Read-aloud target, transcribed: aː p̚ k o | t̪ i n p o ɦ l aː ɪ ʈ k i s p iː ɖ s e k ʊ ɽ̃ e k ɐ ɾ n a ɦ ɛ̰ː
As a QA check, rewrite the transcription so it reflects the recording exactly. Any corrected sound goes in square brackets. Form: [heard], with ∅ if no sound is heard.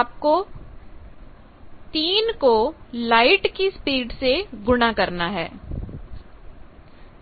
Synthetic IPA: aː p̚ k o | t̪ [iː] n [k] o [∅] l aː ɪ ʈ k i s p iː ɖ s e [ɡ] ʊ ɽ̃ [a] k ɐ ɾ n a ɦ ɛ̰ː